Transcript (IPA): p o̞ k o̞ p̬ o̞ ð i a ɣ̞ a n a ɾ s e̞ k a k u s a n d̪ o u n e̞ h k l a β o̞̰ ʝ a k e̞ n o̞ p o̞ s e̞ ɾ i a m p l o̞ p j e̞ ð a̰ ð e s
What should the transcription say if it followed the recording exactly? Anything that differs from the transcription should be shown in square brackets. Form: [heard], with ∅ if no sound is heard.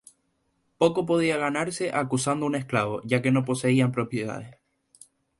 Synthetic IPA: p o̞ k o̞ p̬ o̞ ð i a ɣ̞ a n a ɾ s e̞ [ʔ] a k u s a n d̪ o u n e̞ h k l a β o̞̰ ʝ a k e̞ n o̞ p o̞ s e̞ [∅] i a m p [ɾ] o̞ p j e̞ ð a̰ ð e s